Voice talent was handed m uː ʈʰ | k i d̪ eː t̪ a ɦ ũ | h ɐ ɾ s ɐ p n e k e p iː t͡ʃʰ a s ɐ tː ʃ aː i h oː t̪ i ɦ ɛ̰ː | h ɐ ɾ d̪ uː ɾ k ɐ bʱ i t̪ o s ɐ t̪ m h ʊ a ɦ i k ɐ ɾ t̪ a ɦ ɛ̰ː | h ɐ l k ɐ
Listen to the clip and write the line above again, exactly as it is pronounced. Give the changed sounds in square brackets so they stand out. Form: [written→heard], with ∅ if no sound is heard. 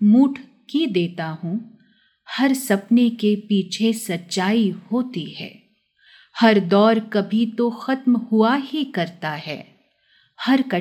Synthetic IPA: m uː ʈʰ | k i d̪ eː t̪ a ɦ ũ | h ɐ ɾ s ɐ p n e k e p iː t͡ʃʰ [a→e] s ɐ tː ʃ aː i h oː t̪ i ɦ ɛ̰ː | h ɐ ɾ d̪ [uː→ɔː] ɾ k ɐ bʱ i t̪ o [s→x] ɐ t̪ m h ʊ a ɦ i k ɐ ɾ t̪ a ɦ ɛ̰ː | h ɐ [l→ɾ] k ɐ